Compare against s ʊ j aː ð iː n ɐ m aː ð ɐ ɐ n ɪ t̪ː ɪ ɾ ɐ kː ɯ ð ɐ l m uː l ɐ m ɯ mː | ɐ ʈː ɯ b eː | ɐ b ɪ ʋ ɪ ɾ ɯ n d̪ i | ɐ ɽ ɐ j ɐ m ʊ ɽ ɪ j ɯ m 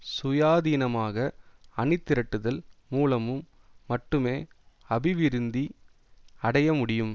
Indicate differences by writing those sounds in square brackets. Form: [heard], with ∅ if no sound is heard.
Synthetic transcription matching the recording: s ʊ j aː ð iː n ɐ m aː [ɣ] ɐ ɐ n ɪ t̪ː ɪ ɾ ɐ [ʈː] ɯ ð ɐ l m uː l ɐ m ɯ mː | ɐ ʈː ɯ [m] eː | ɐ b ɪ ʋ ɪ ɾ ɯ n d̪ i | ɐ ɽ ɐ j ɐ m ʊ ɽ ɪ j ɯ m